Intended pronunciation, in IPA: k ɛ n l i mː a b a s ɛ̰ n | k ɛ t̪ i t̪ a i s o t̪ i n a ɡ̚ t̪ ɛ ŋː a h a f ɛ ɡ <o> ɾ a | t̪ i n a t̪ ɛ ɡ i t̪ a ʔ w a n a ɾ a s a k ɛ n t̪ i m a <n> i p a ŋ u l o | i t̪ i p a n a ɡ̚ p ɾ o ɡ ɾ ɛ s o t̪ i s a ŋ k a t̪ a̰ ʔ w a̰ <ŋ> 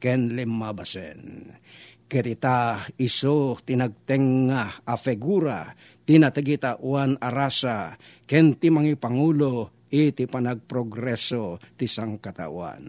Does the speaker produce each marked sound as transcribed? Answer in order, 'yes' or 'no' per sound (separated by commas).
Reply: no, no, no